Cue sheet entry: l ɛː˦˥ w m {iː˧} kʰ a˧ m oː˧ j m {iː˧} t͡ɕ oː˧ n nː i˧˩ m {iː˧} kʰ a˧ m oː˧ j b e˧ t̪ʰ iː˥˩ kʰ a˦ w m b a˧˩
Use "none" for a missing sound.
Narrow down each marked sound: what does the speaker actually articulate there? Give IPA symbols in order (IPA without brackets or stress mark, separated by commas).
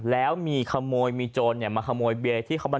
iː˧, iː˧, aː˧